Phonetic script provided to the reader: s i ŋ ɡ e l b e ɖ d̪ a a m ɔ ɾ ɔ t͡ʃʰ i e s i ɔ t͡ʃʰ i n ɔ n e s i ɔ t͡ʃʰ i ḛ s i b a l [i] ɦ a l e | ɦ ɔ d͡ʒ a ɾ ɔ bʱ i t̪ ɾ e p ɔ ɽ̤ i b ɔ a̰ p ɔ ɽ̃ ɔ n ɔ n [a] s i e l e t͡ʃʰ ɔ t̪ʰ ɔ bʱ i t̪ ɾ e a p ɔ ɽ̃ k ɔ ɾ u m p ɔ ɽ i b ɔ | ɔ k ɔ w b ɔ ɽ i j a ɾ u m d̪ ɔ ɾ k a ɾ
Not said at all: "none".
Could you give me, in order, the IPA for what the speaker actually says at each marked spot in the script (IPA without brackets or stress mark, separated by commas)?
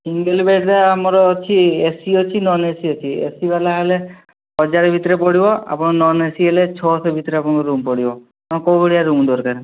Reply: a, e